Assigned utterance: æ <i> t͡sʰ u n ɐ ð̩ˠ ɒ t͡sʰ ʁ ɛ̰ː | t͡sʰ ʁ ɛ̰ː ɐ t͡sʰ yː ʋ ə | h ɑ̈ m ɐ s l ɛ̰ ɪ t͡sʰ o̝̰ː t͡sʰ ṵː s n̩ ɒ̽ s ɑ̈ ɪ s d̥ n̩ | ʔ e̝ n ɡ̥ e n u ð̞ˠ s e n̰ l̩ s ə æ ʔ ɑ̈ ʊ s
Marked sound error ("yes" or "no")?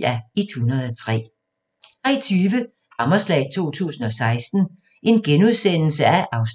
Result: no